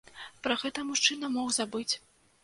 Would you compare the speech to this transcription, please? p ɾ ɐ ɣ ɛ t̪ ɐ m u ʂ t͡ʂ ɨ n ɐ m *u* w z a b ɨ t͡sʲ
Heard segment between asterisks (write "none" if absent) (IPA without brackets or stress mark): ɔ